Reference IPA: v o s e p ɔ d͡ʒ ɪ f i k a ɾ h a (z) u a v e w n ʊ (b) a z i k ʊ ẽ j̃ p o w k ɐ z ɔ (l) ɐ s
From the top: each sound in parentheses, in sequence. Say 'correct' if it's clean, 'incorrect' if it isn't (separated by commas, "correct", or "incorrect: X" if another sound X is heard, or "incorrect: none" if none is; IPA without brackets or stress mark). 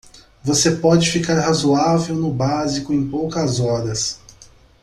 correct, correct, incorrect: ɾ